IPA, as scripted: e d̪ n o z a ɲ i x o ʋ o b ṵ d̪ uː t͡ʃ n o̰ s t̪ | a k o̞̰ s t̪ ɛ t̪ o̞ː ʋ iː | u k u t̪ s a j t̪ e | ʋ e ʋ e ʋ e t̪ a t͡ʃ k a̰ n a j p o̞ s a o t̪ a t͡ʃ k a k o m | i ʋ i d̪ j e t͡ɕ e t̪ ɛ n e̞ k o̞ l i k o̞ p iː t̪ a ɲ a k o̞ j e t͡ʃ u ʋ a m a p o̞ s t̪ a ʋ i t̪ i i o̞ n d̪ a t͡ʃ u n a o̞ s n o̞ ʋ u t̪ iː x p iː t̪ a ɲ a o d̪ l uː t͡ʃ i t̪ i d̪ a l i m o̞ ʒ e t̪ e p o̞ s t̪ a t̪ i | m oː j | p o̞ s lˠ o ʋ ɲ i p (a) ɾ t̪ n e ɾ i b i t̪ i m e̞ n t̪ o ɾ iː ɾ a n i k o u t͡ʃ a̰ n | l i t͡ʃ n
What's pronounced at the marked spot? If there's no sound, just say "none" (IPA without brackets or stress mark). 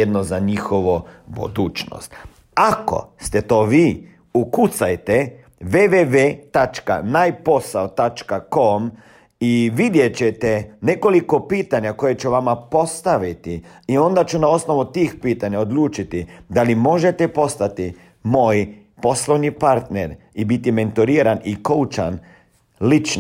a